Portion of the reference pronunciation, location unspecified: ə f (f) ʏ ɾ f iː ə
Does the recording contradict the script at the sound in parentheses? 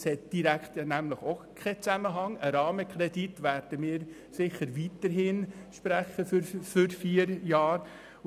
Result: no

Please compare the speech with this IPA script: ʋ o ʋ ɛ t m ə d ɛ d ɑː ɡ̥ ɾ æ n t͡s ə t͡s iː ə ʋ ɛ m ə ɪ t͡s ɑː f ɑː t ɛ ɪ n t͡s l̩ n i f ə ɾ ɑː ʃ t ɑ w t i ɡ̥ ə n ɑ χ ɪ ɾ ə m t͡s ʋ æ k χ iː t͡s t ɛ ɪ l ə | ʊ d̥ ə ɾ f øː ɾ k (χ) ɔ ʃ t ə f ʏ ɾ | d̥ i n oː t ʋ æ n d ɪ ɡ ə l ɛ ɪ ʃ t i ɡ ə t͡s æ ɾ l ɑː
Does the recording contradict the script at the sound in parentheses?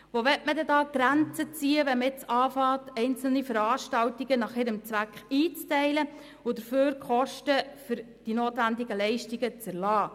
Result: no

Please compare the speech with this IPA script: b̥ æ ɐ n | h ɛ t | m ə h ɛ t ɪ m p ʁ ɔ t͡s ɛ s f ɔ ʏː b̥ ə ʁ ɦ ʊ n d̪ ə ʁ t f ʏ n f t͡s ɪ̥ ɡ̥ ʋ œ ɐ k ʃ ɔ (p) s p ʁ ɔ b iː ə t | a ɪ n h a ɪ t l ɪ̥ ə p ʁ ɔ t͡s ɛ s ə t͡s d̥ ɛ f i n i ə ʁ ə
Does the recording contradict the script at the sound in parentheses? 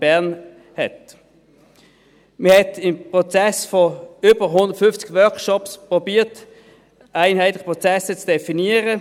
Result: no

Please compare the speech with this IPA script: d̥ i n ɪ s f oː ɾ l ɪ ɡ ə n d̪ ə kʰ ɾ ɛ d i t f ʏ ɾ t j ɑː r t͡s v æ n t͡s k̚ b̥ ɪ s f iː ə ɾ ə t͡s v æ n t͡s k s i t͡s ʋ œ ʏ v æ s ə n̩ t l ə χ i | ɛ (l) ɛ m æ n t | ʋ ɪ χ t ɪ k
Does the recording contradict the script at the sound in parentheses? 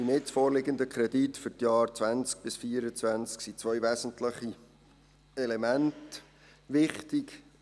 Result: no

